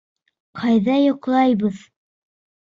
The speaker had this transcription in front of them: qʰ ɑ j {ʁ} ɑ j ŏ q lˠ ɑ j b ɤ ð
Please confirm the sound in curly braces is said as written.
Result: no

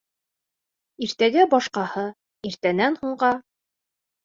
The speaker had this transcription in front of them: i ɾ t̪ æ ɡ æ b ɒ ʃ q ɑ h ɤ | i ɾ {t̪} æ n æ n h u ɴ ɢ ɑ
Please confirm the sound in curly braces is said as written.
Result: yes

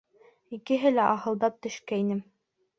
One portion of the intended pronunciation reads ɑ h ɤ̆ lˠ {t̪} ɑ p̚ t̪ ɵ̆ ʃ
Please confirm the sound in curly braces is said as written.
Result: no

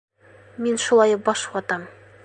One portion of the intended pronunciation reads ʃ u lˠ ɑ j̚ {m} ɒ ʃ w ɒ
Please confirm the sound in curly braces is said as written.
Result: no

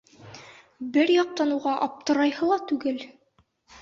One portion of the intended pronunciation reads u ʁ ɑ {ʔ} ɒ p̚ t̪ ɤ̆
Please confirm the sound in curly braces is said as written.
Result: yes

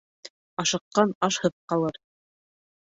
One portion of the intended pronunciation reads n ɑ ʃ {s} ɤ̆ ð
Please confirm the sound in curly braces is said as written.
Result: no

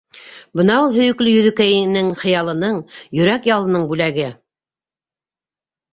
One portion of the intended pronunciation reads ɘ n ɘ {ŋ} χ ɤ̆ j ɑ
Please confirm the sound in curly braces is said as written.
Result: yes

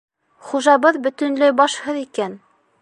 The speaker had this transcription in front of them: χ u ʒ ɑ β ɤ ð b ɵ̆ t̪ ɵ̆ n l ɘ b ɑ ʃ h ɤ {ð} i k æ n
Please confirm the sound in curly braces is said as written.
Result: yes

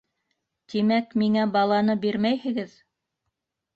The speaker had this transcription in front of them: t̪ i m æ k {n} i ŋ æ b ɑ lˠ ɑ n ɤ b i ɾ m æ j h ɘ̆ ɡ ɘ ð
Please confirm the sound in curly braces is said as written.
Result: no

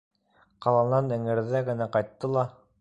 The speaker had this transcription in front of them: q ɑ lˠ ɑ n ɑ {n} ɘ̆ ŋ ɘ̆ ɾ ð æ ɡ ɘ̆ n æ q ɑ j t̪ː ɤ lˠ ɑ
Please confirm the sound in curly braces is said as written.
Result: yes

